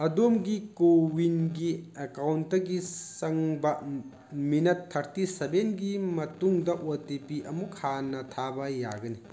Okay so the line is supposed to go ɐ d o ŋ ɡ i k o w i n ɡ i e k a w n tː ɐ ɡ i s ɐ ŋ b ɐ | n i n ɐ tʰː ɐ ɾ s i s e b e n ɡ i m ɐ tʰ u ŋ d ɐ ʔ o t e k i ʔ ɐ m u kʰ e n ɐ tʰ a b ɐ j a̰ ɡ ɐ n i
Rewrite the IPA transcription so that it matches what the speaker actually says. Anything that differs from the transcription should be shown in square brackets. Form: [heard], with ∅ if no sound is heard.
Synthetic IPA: ɐ d o [m] ɡ i k o w i n ɡ i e k a w n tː ɐ ɡ i s ɐ ŋ b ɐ | [m] i n ɐ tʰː ɐ ɾ [t] i s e b e n ɡ i m ɐ [t] u ŋ d ɐ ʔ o t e [p] i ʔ ɐ m u kʰ [a] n ɐ tʰ a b ɐ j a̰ ɡ ɐ n i